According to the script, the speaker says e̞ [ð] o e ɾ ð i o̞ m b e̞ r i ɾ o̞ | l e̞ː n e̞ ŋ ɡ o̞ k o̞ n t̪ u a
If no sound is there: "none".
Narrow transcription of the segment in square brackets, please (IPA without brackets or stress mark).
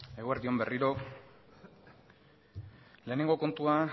ɣ